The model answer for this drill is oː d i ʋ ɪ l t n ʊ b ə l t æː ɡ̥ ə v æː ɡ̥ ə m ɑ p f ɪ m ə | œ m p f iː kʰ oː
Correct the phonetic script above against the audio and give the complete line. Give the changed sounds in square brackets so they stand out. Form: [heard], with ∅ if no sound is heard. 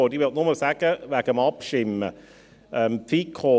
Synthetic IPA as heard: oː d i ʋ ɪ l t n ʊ [m] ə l [s] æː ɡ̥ ə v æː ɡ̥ ə m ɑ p [ʃ] ɪ m ə | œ m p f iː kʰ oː